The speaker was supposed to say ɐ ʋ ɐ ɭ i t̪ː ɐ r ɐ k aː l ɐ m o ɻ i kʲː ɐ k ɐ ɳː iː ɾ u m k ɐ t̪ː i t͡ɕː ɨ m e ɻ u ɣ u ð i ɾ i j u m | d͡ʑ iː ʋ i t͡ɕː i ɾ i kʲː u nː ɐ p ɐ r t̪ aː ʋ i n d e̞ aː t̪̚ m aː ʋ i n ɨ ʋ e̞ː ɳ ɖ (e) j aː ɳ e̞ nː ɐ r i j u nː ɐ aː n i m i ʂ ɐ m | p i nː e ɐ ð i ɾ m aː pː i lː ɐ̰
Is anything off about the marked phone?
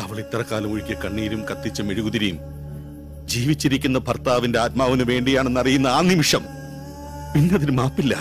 yes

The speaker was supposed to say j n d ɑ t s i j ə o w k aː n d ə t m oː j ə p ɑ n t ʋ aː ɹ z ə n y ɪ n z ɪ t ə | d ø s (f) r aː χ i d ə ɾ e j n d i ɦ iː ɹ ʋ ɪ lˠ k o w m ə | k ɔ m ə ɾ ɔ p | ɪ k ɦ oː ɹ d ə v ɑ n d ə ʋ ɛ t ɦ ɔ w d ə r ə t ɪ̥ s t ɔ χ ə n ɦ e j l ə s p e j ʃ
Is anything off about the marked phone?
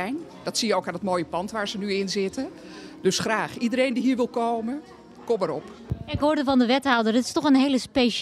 yes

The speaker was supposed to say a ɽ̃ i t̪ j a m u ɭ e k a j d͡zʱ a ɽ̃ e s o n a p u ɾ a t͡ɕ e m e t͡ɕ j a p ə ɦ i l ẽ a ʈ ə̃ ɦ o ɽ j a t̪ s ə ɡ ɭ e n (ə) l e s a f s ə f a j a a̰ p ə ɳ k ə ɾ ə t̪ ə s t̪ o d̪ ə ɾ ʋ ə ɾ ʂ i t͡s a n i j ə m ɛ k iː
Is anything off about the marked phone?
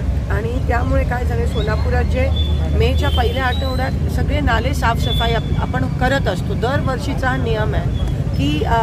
yes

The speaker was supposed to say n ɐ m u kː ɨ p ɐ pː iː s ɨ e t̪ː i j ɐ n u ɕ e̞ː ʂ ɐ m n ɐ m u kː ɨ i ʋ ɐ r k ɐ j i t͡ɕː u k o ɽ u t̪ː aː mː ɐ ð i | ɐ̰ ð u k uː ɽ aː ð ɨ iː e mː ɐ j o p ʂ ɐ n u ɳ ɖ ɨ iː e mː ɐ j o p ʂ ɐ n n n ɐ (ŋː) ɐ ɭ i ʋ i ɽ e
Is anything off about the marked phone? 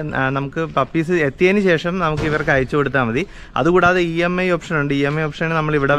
yes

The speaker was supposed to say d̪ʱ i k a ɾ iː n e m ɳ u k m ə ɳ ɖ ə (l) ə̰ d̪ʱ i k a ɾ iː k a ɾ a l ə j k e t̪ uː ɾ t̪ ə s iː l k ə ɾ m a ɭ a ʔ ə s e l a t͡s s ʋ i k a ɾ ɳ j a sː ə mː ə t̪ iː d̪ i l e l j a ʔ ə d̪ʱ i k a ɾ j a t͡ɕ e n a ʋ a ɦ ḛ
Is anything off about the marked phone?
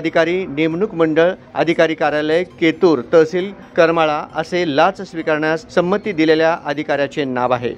yes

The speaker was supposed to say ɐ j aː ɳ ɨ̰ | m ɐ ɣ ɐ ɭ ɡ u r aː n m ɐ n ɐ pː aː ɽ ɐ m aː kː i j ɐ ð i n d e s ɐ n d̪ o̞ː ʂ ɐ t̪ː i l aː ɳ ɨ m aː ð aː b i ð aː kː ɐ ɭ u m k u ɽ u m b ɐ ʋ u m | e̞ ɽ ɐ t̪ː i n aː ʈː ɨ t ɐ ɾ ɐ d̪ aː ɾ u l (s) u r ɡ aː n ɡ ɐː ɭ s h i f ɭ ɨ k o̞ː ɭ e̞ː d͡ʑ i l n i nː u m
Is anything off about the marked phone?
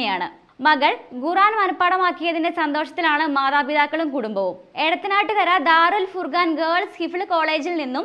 yes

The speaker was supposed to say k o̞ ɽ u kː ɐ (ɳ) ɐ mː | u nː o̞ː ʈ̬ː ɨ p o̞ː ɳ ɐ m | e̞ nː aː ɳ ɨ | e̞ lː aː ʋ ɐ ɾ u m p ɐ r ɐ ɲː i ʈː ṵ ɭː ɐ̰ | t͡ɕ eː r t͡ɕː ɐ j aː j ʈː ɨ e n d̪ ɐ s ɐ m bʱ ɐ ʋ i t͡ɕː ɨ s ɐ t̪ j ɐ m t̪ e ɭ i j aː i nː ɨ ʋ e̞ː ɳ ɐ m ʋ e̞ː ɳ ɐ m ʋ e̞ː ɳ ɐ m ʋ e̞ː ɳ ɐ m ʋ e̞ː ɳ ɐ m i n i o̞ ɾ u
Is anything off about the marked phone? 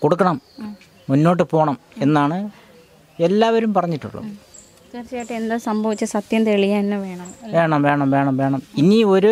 no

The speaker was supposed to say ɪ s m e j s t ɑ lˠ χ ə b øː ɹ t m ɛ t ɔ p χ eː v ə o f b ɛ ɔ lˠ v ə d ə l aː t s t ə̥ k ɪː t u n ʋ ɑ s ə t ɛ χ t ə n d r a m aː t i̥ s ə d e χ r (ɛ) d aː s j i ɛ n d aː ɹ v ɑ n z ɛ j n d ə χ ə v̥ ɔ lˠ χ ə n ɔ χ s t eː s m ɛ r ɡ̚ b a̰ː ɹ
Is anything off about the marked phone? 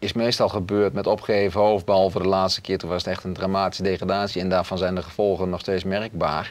yes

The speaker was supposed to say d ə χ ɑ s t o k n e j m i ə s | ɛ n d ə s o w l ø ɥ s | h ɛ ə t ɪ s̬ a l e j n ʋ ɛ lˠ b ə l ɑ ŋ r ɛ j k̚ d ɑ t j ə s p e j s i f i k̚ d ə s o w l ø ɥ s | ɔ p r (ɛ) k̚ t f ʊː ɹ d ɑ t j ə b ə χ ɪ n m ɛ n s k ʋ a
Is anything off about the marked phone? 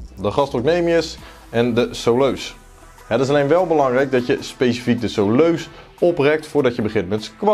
no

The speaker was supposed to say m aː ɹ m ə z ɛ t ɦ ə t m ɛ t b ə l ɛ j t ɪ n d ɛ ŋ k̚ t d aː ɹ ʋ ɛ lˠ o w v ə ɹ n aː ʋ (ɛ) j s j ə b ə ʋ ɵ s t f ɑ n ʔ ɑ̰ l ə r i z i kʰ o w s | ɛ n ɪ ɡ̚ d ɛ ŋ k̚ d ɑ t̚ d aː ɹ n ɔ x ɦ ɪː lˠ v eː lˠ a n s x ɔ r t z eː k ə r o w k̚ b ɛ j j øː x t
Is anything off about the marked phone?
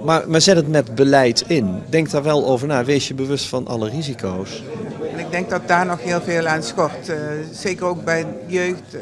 yes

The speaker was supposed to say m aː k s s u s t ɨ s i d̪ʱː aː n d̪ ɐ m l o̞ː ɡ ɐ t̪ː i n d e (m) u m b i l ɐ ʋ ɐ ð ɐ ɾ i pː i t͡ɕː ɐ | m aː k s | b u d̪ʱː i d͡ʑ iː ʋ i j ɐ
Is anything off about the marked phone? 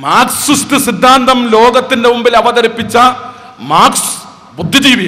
no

